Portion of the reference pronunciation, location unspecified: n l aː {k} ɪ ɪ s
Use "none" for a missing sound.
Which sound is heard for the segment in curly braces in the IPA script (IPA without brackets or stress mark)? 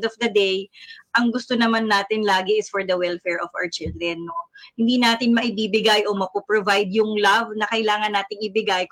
ɡ